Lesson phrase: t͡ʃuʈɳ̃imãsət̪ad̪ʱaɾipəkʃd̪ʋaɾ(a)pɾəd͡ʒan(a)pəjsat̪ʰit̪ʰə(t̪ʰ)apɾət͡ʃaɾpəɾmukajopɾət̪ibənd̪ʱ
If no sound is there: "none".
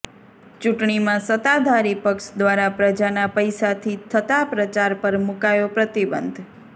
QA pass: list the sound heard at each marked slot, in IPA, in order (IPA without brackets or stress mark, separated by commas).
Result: a, a, t̪